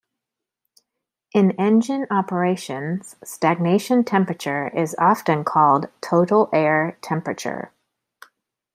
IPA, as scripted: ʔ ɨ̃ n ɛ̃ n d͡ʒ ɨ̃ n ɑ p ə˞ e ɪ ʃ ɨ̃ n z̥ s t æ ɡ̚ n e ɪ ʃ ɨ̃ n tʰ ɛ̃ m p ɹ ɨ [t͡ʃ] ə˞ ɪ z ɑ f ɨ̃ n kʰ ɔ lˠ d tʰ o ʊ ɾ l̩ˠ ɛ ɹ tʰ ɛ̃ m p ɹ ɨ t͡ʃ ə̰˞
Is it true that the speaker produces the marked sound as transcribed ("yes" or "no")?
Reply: yes